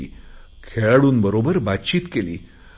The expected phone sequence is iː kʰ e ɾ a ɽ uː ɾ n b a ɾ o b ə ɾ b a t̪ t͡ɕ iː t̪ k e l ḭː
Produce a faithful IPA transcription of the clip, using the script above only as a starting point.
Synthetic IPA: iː kʰ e ɭ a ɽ uː n b ə ɾ o b ə ɾ b a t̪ t͡ɕ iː t̪ k e l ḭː